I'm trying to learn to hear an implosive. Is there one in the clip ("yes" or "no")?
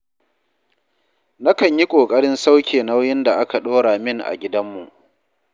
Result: yes